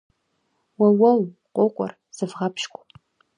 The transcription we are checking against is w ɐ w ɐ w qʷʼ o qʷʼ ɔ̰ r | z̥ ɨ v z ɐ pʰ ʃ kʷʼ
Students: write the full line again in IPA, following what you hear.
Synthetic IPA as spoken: w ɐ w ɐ w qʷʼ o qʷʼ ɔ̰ r | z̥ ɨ v ʁ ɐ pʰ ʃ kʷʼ